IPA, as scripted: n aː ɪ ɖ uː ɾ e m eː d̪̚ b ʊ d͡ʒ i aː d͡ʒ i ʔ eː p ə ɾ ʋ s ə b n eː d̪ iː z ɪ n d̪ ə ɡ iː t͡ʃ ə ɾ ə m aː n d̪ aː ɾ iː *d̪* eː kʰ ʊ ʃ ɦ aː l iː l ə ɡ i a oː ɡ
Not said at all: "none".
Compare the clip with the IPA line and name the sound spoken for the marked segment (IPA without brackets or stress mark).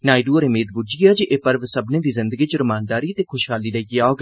t̪